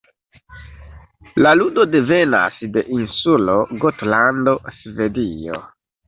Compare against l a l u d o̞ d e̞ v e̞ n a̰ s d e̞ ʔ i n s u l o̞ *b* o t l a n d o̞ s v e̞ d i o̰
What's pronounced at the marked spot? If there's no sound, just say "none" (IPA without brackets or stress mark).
ɡ